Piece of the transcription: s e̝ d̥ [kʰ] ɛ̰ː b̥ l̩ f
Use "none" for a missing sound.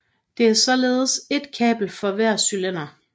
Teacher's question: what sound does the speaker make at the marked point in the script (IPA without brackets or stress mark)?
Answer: kʰ